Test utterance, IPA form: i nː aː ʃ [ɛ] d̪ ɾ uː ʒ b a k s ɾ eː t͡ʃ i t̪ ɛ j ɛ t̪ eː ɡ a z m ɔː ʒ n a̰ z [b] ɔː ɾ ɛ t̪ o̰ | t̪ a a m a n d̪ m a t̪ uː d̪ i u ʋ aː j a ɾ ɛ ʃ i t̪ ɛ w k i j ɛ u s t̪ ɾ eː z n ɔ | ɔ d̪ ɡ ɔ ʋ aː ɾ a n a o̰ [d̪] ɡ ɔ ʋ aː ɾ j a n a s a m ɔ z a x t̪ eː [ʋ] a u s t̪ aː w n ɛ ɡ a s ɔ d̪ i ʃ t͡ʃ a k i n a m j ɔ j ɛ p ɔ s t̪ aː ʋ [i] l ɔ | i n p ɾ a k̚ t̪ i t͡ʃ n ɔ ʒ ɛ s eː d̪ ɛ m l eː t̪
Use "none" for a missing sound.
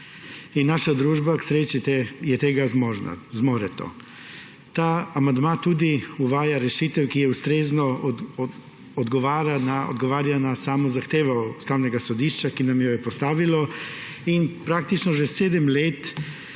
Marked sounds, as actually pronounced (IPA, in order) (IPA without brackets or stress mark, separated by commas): a, m, d̪, ʋ, i